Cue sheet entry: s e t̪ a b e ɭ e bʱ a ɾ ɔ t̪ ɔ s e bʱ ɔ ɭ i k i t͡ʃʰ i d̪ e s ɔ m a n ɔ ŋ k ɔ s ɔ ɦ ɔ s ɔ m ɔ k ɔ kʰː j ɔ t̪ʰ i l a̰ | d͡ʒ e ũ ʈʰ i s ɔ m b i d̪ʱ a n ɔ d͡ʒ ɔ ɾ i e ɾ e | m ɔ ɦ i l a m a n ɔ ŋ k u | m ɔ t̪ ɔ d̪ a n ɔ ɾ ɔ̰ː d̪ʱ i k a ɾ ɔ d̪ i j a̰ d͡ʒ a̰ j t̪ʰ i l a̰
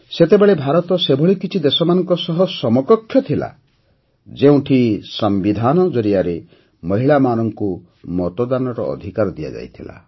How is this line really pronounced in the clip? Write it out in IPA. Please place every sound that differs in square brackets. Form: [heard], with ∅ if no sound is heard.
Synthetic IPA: s e t̪ [e] b e ɭ e bʱ a ɾ ɔ t̪ ɔ s e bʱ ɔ ɭ i k i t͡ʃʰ i d̪ e s ɔ m a n ɔ ŋ k ɔ s ɔ ɦ ɔ s ɔ m ɔ k ɔ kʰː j ɔ t̪ʰ i l a̰ | d͡ʒ e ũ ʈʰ i s ɔ m b i d̪ʱ a n ɔ d͡ʒ ɔ ɾ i [a] ɾ e | m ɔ ɦ i [ɭ] a m a n ɔ ŋ k u | m ɔ t̪ ɔ d̪ a n ɔ ɾ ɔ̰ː d̪ʱ i k a ɾ ɔ d̪ i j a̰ d͡ʒ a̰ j t̪ʰ i l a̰